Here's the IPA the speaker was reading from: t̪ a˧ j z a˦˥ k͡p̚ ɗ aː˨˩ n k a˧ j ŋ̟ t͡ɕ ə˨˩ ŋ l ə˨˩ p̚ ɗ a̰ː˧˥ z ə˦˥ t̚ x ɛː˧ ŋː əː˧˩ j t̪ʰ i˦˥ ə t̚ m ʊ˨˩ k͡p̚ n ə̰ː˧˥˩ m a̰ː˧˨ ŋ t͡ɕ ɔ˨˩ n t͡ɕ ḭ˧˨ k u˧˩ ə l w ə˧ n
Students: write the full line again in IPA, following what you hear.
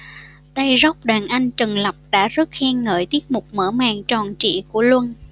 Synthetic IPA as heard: t̪ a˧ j z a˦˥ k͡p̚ ɗ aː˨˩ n ʔ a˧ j ŋ̟ t͡ɕ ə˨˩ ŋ l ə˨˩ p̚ ɗ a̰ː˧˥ z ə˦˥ t̚ x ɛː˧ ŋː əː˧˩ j t̪ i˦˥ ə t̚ m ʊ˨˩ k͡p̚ m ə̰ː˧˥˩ m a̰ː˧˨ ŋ t͡ɕ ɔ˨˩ n t͡ɕ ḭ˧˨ k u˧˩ ə l w ə˧ n